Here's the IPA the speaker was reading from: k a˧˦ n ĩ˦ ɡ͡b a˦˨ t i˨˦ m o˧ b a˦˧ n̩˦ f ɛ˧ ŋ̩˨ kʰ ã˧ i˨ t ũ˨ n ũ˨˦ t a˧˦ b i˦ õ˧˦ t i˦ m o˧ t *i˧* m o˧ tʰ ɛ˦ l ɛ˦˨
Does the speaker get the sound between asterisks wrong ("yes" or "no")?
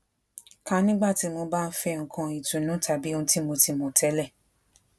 no